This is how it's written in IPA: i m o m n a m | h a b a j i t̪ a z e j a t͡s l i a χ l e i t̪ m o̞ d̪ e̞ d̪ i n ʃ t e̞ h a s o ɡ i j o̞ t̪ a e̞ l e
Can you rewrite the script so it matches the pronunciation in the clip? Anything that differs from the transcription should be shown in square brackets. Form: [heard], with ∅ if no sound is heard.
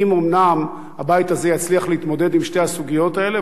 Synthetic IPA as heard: i m o m n a m | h a b a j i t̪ a z e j a t͡s l i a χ l e i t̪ m o̞ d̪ e̞ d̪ i [m] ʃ t e̞ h a s [u] ɡ i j o̞ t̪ a e̞ l e